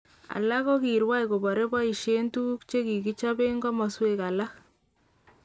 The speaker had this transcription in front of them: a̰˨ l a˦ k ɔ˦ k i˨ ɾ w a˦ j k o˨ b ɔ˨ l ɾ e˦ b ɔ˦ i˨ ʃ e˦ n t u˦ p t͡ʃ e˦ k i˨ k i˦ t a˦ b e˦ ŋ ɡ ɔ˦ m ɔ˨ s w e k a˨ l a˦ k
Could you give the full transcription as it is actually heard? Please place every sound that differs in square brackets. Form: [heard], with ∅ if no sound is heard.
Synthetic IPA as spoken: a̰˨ l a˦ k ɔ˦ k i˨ ɾ w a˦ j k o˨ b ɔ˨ [∅] ɾ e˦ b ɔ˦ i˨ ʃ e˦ n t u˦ [k] t͡ʃ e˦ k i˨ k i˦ [t͡ʃ] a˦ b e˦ ŋ ɡ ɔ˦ m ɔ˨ s w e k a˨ l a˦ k